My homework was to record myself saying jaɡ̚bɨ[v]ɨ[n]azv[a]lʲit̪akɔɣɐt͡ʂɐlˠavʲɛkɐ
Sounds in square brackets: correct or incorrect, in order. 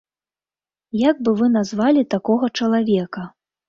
correct, correct, correct

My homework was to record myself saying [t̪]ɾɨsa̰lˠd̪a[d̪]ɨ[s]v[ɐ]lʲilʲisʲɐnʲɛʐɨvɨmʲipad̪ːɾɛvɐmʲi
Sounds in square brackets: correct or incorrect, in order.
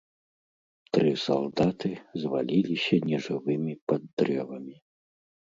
correct, incorrect, incorrect, incorrect

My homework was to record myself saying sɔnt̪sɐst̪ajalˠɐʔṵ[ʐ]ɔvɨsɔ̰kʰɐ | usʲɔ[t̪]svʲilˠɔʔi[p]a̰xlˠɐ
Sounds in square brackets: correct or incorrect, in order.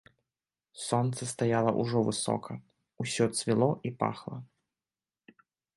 correct, correct, correct

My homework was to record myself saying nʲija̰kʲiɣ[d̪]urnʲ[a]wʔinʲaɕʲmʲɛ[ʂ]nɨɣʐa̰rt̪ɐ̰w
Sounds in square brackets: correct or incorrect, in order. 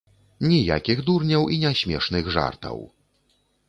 correct, incorrect, correct

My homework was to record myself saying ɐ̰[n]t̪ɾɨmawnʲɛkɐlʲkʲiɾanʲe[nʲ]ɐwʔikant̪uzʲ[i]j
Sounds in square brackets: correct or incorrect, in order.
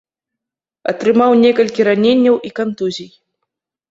incorrect, incorrect, correct

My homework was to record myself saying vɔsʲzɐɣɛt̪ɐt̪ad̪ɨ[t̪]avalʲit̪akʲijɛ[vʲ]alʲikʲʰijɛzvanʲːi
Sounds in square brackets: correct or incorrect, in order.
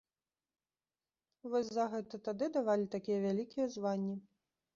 incorrect, correct

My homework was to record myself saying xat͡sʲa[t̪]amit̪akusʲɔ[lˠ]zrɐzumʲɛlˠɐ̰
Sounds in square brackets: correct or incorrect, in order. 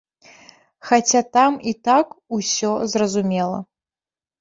correct, incorrect

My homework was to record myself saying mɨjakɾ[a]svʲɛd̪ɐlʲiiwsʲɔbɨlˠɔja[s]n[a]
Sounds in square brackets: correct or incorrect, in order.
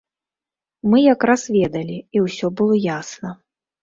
correct, correct, incorrect

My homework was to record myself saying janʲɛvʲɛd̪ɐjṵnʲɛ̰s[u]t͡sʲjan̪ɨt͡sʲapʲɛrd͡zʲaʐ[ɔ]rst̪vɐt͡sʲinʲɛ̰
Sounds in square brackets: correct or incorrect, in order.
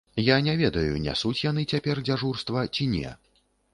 correct, incorrect

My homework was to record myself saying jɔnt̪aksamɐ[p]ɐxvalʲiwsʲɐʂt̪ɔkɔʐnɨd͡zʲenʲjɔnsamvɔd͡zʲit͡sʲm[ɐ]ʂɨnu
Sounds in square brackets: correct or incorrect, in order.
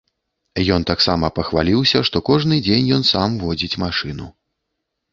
correct, incorrect

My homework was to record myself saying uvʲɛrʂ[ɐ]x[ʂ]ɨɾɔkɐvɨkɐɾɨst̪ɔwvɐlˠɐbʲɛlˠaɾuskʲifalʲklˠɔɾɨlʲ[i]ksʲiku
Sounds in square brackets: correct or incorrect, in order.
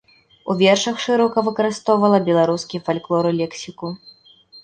correct, correct, incorrect

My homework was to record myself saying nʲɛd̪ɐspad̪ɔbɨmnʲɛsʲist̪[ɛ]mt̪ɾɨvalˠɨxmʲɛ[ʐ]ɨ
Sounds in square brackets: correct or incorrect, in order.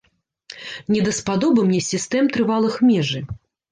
correct, correct

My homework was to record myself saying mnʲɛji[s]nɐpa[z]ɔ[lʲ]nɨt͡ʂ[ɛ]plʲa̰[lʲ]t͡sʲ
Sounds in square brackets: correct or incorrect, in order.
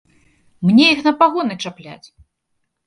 incorrect, incorrect, incorrect, incorrect, incorrect

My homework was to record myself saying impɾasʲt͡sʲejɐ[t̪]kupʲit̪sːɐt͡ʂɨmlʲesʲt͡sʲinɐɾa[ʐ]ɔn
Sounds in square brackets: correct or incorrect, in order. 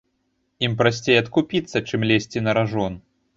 correct, correct

